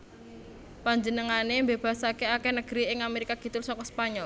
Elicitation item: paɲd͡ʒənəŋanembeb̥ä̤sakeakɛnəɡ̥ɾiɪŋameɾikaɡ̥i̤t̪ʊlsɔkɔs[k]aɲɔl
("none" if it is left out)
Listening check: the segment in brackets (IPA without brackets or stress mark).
p